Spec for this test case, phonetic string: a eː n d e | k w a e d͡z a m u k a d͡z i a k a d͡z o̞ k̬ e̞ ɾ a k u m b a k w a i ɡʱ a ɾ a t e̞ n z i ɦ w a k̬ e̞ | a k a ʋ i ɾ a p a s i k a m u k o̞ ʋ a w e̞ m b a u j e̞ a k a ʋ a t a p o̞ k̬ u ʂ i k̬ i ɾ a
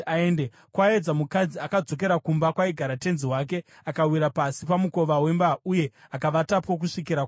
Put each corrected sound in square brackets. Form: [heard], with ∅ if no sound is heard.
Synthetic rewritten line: a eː n d e | k w a e d͡z a m u k a d͡z i a k a d͡z o̞ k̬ e̞ ɾ a k u m b a k w a i ɡʱ a ɾ a t e̞ n z i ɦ w a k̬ e̞ | a k a [w] i ɾ a p a s i [p] a m u k o̞ ʋ a w e̞ m b a u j e̞ a k a ʋ a t a p o̞ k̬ u ʂ i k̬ i ɾ a